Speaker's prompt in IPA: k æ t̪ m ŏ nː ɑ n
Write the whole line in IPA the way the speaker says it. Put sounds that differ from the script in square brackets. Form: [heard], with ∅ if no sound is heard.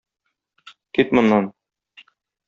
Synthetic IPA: k [i] t̪ m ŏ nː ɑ n